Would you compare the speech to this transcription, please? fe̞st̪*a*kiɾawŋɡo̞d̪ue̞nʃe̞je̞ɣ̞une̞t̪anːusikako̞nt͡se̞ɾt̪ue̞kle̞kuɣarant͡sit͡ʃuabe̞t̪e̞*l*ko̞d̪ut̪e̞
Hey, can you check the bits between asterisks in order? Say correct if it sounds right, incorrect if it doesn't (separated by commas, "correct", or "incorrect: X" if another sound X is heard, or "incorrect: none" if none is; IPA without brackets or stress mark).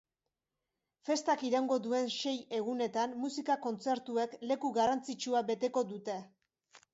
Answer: correct, incorrect: none